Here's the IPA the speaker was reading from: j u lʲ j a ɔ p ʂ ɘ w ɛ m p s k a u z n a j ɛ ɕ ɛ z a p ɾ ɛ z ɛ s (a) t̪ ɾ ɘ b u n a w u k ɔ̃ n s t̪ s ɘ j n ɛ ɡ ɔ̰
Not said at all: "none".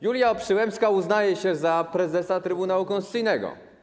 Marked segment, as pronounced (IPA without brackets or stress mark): a